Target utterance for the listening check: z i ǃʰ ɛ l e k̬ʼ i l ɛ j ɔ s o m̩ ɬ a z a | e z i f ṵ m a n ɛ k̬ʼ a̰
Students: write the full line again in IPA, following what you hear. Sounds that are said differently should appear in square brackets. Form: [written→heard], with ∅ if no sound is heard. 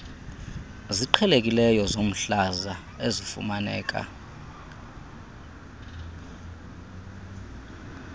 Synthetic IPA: z i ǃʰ ɛ l e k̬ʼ i l ɛ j ɔ [s→z] o m̩ ɬ a z a | e z i f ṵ m a n [ɛ→ɛː] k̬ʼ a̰